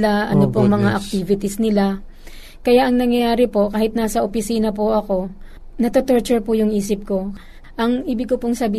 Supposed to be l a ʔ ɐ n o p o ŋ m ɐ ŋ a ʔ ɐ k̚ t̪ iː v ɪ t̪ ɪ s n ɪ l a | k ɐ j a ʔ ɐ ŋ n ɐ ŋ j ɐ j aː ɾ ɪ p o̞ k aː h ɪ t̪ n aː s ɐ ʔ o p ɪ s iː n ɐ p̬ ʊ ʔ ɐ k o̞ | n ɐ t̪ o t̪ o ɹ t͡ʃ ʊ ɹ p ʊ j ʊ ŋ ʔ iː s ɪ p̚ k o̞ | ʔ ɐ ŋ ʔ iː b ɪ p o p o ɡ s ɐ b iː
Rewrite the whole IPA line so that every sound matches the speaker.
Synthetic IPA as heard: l a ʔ ɐ n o p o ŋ m ɐ ŋ a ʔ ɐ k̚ t̪ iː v ɪ t̪ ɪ s n ɪ l a | k ɐ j a ʔ ɐ ŋ n ɐ ŋ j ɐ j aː ɾ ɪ p o̞ k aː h ɪ t̪ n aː s ɐ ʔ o p ɪ s iː n ɐ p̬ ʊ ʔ ɐ k o̞ | n ɐ t̪ o t̪ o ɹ t͡ʃ ʊ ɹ p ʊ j ʊ ŋ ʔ iː s ɪ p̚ k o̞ | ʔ ɐ ŋ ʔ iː b ɪ k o p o ŋ s ɐ b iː